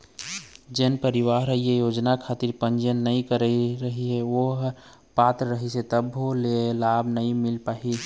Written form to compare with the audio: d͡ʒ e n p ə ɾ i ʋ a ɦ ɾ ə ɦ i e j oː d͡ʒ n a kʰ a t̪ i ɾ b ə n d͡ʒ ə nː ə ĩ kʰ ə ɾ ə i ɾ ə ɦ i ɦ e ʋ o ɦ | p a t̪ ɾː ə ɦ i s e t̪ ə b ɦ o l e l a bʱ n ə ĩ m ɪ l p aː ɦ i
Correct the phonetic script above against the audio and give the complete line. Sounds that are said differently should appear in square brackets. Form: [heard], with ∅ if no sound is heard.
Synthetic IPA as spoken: d͡ʒ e n p ə ɾ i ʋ a ɦ ɾ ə ɦ i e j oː d͡ʒ n a kʰ a t̪ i ɾ [p] ə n d͡ʒ ə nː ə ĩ [k] ə ɾ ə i ɾ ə ɦ i ɦ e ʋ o ɦ | p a t̪ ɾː ə ɦ i s e t̪ ə b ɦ o l e l a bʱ n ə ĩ m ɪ l p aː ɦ i